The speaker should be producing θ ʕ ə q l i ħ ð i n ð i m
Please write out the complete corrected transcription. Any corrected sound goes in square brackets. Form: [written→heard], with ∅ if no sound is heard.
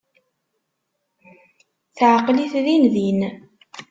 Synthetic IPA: θ ʕ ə q l i [ħ→θ] ð i n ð i [m→n]